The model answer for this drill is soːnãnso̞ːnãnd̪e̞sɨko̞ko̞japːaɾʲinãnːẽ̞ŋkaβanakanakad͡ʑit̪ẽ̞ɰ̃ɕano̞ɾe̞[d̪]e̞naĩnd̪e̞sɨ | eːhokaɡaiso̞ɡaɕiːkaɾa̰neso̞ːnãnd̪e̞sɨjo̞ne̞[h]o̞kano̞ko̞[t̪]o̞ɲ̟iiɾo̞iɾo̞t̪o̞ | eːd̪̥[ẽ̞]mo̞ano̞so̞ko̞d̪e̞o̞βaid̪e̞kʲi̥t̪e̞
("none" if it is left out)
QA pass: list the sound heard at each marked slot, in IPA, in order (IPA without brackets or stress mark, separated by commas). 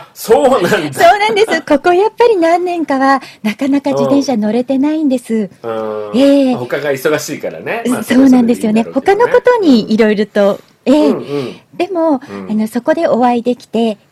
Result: t̪, h, t̪, e̞